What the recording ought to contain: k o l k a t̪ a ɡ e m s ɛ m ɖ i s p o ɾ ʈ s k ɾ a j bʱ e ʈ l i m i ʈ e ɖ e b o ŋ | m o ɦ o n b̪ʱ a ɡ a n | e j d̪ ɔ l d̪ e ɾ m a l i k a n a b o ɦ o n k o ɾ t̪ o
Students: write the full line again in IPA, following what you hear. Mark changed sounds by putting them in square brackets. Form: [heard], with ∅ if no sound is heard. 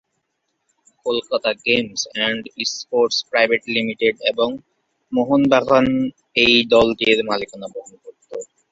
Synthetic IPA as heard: k o l k a t̪ a ɡ e m s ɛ [ɳ] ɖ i s p o ɾ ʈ s [p] ɾ a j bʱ e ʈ l i m i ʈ e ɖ e b o ŋ | m o ɦ o n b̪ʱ a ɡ a n | e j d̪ ɔ l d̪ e ɾ m a l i k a n a b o ɦ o n k o ɾ t̪ o